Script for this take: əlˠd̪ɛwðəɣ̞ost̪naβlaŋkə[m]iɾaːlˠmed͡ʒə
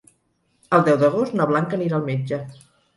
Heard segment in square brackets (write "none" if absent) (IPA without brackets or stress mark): n